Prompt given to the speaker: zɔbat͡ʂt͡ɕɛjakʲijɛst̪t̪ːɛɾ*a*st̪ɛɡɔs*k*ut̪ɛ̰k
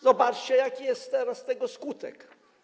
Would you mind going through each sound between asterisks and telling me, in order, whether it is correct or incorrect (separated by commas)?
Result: correct, correct